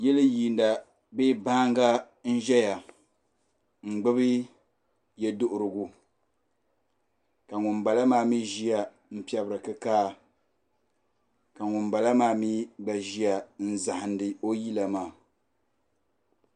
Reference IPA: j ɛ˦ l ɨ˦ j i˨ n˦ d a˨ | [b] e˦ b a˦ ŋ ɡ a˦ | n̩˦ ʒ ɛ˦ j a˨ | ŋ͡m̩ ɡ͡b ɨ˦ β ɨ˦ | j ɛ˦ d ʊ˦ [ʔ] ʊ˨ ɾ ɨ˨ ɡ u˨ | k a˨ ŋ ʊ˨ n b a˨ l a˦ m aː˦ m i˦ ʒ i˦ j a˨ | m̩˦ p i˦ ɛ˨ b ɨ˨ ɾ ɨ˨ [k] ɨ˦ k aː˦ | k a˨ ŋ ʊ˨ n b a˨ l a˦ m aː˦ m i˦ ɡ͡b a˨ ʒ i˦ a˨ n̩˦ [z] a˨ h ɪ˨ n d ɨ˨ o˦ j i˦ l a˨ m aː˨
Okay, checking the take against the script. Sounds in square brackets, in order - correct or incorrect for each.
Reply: correct, correct, correct, correct

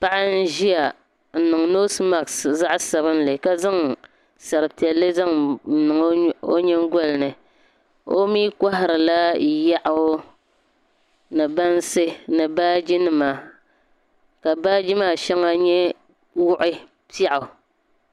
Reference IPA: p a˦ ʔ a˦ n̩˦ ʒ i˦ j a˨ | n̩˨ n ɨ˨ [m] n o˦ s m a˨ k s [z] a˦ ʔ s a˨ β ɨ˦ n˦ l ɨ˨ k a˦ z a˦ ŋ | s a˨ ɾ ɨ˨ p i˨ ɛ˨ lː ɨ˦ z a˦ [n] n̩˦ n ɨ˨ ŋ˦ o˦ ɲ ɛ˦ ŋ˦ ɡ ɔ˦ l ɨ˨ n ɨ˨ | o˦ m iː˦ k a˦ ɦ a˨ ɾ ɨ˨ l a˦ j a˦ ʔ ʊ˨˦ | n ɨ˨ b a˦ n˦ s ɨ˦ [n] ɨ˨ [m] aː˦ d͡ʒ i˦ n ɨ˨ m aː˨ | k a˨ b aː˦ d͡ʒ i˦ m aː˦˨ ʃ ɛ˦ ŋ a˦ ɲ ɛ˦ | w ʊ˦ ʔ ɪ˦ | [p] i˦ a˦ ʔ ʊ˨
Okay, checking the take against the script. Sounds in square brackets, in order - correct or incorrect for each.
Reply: incorrect: ŋ, correct, incorrect: ŋ, correct, incorrect: b, correct

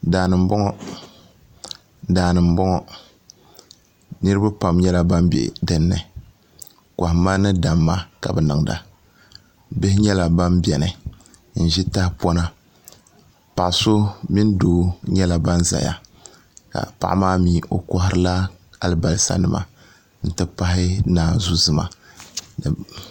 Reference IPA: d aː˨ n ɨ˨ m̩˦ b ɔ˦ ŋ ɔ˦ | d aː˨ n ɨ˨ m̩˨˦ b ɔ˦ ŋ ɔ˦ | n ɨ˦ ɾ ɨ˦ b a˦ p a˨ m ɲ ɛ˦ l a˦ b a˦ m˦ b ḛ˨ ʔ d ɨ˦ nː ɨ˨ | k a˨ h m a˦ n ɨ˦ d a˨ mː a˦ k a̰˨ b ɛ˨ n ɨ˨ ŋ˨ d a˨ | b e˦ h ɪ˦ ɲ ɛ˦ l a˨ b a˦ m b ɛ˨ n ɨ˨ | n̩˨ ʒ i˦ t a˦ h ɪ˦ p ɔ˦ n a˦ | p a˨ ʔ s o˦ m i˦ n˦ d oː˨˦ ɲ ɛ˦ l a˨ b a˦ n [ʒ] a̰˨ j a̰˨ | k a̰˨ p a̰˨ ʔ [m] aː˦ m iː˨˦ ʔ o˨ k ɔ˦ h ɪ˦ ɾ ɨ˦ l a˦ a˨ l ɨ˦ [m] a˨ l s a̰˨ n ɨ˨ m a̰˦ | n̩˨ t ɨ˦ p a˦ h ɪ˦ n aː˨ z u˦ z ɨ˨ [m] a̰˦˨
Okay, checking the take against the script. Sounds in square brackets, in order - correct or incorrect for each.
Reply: incorrect: z, correct, incorrect: b, correct

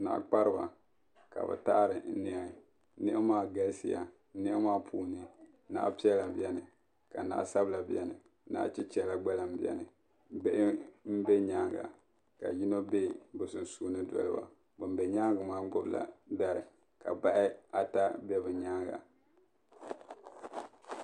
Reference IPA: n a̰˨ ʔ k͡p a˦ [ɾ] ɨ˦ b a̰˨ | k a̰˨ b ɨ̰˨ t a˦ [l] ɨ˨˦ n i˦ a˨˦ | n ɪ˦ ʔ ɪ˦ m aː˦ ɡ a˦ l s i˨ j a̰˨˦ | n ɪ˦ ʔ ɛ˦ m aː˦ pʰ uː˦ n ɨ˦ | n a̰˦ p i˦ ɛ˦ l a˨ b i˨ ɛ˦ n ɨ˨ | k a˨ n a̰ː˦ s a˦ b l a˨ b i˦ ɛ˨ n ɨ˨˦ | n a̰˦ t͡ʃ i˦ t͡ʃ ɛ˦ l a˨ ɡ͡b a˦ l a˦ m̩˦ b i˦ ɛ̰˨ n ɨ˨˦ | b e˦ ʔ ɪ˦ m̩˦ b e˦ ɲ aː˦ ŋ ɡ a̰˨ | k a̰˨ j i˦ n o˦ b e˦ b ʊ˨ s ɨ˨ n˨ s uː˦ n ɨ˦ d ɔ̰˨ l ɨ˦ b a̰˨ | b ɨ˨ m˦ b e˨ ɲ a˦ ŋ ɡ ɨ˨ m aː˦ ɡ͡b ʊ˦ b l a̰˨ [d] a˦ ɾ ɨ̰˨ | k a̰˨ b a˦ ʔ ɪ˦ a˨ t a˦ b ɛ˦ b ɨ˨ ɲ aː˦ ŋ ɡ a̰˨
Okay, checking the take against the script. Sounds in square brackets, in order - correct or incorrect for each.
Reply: correct, incorrect: ɾ, correct

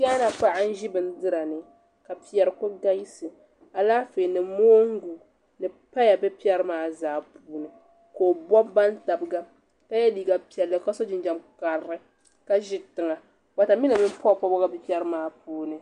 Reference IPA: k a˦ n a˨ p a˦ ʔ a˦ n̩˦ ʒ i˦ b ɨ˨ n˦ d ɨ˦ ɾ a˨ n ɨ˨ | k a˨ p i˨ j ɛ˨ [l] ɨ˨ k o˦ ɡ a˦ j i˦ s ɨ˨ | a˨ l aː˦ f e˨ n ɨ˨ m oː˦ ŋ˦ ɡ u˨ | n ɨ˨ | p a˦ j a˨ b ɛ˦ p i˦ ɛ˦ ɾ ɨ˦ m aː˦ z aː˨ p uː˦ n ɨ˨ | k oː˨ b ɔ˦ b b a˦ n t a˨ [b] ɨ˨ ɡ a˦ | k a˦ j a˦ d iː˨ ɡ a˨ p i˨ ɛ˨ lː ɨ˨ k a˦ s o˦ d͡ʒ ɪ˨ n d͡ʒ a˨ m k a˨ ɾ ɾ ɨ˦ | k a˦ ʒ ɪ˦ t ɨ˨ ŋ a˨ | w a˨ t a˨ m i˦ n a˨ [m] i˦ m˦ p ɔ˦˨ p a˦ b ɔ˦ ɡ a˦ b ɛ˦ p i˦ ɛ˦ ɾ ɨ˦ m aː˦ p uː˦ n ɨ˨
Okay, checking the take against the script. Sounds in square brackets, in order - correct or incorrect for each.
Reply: incorrect: ɾ, correct, correct

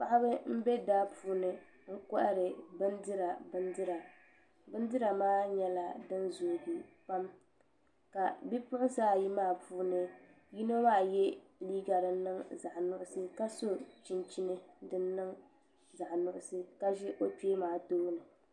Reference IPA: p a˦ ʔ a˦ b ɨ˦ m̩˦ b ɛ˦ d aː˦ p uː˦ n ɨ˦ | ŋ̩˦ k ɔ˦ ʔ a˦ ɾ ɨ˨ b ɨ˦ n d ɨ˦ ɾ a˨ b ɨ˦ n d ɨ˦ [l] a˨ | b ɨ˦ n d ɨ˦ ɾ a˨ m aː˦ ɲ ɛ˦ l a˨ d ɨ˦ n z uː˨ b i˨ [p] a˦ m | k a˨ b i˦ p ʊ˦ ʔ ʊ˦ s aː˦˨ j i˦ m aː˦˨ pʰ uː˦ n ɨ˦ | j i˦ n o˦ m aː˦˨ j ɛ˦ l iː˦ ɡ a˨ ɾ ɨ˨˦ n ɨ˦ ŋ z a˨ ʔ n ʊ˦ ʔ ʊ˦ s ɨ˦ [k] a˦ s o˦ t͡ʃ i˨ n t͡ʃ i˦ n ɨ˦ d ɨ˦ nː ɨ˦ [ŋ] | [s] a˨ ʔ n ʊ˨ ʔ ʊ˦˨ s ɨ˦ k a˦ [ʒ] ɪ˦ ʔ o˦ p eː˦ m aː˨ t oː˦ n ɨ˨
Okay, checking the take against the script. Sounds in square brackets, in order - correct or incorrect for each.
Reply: incorrect: ɾ, correct, correct, correct, incorrect: z, correct

